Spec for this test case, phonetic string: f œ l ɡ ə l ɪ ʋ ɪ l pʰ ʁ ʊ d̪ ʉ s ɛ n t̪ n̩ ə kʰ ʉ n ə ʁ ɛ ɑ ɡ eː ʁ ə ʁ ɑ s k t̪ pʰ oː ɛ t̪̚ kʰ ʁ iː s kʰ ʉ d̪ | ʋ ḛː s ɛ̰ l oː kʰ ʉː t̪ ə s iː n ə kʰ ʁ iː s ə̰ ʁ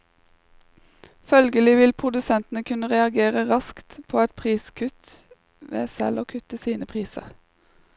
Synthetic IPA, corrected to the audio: f œ l ɡ ə l ɪ ʋ ɪ l pʰ ʁ ʊ d̪ ʉ s ɛ n t̪ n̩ ə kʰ ʉ n ə ʁ ɛ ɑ ɡ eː ʁ ə ʁ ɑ s k t̪ pʰ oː ɛ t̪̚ pʰ ʁ iː s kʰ ʉ t̪ | ʋ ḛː s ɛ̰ l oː kʰ ʉ t̪ ə s iː n ə pʰ ʁ iː s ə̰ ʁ

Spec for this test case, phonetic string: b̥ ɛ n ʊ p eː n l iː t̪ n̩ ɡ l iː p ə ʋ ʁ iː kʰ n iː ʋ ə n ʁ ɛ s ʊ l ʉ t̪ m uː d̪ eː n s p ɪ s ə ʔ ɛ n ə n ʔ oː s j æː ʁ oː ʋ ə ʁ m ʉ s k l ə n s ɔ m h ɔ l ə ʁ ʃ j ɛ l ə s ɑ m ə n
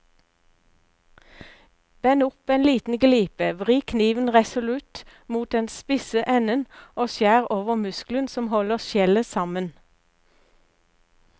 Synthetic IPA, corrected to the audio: b̥ ɛ n ʊ p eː n l iː t̪ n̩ ɡ l iː p ə ʋ ʁ iː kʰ n iː ʋ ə n ʁ ɛ s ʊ l ʉ t̪ m uː t̪ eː n s p ɪ s ə ʔ ɛ n ə n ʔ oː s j æː ʁ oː ʋ ə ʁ m ʉ s k l ə n s ɔ m h ɔ l ə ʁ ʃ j ɛ l ə s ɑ m ə n

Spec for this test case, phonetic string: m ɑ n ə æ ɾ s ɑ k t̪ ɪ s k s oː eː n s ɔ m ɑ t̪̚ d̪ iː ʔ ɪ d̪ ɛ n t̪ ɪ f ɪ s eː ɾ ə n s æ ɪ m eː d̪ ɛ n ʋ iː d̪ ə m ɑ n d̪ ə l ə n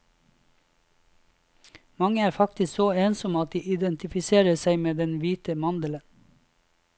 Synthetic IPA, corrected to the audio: m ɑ ŋ ə æː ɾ f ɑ k t̪ ɪ s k s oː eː n s ɔ m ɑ t̪̚ d̪ iː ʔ ɪ d̪ ɛ n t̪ ɪ f ɪ s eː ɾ ə s æ ɪ m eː d̪ ɛ n ʋ iː t̪ ə m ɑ n d̪ ə l ə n

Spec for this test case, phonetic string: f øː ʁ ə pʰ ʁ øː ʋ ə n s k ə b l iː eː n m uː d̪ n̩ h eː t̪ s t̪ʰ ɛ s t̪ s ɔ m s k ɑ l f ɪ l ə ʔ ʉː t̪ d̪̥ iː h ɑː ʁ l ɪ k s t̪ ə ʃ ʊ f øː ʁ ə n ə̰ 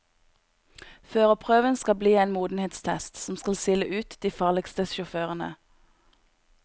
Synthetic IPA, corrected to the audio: f øː ʁ ə pʰ ʁ øː ʋ ə n s k ɑ b l iː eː n m uː d̪ n̩ h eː t̪ s t̪ʰ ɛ s t̪ s ɔ m s k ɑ l s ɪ l ə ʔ ʉː t̪ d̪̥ iː f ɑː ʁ l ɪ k s t̪ ə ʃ ʊ f øː ʁ ə n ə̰

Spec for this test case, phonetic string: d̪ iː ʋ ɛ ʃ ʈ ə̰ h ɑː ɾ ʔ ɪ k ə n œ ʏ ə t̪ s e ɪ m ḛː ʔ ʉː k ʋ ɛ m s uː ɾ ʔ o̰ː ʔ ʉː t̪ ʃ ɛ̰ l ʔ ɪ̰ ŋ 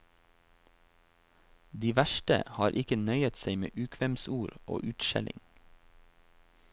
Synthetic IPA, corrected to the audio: d̪ iː ʋ æ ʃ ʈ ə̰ h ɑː ɾ ʔ ɪ k ə n œ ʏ ə t̪ s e ɪ m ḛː ʔ ʉː kʰ ʋ ɛ m s uː ɾ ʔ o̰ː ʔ ʉː t̪ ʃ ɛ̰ l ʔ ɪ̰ ŋ

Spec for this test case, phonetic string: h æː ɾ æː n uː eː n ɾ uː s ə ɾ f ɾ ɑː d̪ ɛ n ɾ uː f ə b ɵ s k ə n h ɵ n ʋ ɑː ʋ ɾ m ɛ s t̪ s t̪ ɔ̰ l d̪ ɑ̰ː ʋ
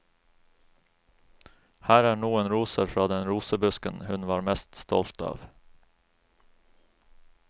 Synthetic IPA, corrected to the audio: h æː ɾ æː ɳ uː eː n ɾ uː s ə ɾ f ɾ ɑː d̪ ɛ n ɾ uː s ə b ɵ s k ə n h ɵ n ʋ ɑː ɾ m ɛ s t̪ s t̪ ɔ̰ l t̪ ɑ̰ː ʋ

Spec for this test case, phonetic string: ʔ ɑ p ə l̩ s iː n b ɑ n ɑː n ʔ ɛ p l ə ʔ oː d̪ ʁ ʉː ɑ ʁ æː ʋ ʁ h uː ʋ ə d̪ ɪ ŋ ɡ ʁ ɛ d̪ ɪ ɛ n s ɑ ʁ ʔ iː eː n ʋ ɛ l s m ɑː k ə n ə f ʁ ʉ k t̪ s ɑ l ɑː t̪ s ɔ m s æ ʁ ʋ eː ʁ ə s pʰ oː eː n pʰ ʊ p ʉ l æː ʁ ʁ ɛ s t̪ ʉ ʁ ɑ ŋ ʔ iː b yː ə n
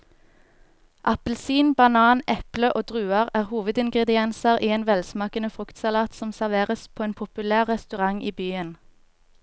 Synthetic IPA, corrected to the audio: ʔ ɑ p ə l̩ s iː n b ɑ n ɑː n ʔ ɛ p l ə ʔ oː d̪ ʁ ʉː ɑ ʁ æː ʁ h uː ʋ ə d̪ ɪ ŋ ɡ ʁ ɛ d̪ ɪ ɛ n s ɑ ʁ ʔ iː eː n ʋ ɛ l s m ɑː k ə n ə f ʁ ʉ k t̪ s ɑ l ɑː t̪ s ɔ m s æ ʁ ʋ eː ʁ ə s pʰ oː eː n pʰ ʊ p ʉ l æː ʁ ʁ ɛ s t̪ ʉ ʁ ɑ ŋ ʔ iː b yː ə n

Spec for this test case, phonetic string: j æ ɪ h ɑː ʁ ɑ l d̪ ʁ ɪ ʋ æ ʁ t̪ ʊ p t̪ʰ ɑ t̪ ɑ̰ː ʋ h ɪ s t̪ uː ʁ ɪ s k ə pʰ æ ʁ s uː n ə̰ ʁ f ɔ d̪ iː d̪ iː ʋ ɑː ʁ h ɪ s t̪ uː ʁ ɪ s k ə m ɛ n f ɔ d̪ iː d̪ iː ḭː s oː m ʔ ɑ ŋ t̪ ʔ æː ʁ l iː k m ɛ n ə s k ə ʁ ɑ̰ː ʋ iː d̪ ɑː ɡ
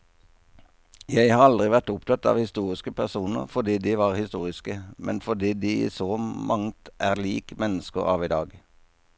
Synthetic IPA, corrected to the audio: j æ ɪ h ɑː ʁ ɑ l d̪ ʁ ɪ ʋ æ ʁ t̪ ʊ p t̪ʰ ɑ t̪ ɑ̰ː ʋ h ɪ s t̪ uː ʁ ɪ s k ə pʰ æ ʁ s uː n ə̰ ʁ f ɔ d̪ iː d̪ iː ʋ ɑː ʁ h ɪ s t̪ uː ʁ ɪ s k ə m ɛ n f ɔ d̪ iː d̪ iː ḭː s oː m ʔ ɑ ŋ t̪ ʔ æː ʁ l iː k m ɛ n ə s k ə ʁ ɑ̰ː ʋ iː d̪ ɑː ɡ

